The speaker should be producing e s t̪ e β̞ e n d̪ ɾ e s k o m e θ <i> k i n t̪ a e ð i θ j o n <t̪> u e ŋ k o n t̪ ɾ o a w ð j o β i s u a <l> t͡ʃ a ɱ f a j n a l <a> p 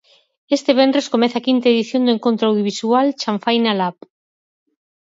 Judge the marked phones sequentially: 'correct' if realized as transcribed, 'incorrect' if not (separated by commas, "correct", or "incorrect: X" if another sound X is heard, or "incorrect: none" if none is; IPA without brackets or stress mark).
incorrect: a, incorrect: d̪, correct, correct